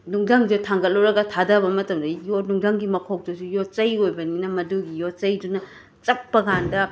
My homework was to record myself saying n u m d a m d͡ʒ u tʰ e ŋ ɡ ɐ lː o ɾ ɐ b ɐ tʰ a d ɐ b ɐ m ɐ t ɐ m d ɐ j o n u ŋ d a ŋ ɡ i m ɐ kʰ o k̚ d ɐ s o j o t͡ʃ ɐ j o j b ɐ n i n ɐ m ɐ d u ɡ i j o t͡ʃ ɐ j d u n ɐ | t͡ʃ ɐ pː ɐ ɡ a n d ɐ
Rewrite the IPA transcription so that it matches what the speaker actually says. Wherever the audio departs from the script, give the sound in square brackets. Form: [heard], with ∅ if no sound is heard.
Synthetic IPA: n u [ŋ] d a [ŋ] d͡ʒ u tʰ [a] ŋ ɡ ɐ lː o ɾ ɐ [ɡ] ɐ tʰ a d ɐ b ɐ m ɐ t ɐ m d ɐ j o n u ŋ d a ŋ ɡ i m ɐ kʰ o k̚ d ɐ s [u] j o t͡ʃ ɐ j o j b ɐ n i n ɐ m ɐ d u ɡ i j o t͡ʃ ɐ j d u n ɐ | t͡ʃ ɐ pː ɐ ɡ a n d ɐ